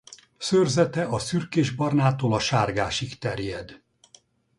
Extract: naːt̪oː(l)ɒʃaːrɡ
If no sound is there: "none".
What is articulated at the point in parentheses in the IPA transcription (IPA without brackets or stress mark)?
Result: l